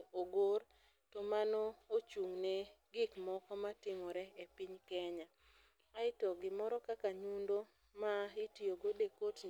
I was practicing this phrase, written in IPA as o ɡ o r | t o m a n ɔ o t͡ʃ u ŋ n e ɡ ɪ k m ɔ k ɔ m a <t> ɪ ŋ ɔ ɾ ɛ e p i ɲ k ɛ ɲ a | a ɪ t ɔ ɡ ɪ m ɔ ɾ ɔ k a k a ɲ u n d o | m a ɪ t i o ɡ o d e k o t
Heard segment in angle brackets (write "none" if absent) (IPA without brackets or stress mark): t